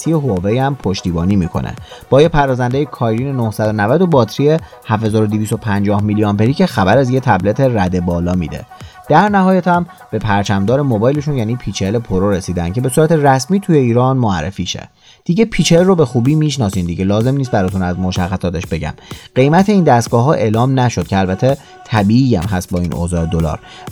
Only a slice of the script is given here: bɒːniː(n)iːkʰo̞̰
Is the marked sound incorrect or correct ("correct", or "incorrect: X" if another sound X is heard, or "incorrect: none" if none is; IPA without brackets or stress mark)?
incorrect: m